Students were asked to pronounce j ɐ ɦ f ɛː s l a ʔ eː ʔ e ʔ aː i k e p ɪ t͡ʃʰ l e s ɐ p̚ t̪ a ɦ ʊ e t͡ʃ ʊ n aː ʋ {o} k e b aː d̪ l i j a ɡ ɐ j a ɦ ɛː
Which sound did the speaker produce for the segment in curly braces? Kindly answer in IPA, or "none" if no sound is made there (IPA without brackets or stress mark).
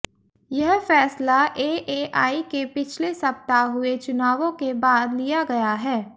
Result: õ